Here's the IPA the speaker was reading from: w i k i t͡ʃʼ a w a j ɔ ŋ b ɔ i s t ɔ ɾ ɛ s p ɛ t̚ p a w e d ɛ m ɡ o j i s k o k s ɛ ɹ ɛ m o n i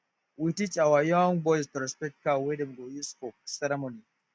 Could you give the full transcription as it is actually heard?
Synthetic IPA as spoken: w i t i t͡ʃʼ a w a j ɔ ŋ b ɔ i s t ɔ ɾ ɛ s p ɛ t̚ k a w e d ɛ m ɡ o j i s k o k s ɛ ɾ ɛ m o n i